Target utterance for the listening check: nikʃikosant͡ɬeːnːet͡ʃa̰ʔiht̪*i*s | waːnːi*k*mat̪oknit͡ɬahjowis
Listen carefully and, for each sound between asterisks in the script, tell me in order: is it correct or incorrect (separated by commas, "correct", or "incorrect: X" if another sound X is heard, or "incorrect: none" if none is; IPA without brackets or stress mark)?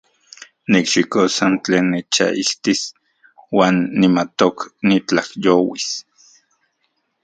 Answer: correct, incorrect: none